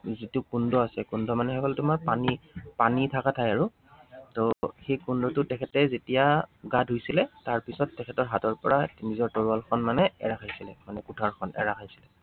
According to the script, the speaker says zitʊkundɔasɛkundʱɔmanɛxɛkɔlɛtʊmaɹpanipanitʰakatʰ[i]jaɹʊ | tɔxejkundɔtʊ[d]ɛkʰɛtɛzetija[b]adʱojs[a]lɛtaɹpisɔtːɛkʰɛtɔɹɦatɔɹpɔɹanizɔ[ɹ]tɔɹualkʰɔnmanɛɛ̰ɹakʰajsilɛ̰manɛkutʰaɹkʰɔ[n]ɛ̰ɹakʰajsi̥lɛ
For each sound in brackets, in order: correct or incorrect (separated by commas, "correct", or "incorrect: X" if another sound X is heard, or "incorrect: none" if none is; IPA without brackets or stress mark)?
incorrect: a, incorrect: t, incorrect: ɡ, incorrect: i, correct, correct